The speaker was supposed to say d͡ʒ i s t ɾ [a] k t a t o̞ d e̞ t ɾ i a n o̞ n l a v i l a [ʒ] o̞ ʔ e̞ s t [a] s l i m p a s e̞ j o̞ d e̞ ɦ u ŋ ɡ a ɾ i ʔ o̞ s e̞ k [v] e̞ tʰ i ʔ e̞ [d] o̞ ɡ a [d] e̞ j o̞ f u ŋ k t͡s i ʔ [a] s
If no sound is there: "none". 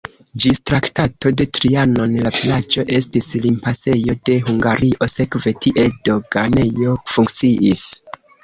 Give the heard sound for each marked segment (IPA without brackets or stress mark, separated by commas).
a, d͡ʒ, i, v, d, n, i